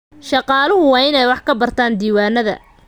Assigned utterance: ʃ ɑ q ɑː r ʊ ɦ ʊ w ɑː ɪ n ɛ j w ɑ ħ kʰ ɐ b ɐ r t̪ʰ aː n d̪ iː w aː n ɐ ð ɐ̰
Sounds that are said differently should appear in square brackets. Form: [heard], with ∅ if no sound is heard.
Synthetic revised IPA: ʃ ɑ q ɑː [l] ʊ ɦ ʊ w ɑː ɪ n ɛ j w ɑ ħ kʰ ɐ b ɐ r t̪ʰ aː n d̪ iː w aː n ɐ ð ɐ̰